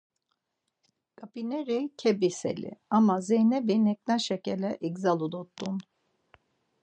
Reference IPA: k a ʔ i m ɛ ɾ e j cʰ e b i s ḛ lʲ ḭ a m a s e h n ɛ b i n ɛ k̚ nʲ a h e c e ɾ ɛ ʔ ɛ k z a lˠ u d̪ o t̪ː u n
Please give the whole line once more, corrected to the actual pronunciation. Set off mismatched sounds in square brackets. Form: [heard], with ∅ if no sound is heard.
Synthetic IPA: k a [p] i [n] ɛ ɾ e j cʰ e b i s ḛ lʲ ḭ a m a [z] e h n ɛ b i n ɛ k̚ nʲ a [ʃ] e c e [l] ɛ ʔ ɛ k z a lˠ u d̪ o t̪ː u n